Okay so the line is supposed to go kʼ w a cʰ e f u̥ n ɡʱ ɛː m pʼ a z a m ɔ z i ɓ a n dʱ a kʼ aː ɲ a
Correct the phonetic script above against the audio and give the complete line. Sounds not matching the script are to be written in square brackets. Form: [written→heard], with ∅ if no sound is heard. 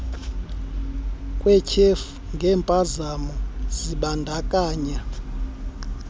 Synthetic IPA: kʼ w [a→ɛ] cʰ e f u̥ [n→ŋ] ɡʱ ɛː m pʼ a z a m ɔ z i ɓ a n dʱ a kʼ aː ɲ a